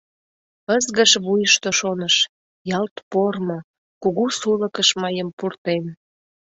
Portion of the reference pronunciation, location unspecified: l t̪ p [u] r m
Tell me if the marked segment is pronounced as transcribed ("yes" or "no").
no